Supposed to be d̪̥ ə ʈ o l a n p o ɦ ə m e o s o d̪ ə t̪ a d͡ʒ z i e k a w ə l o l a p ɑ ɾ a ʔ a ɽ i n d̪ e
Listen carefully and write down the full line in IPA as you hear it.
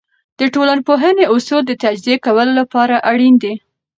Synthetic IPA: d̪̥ ə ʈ o l a n p o ɦ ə n e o s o d̪ ə t̪ a d͡ʒ z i e k a w ə l o l a p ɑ ɾ a ʔ a ɽ i n d̪ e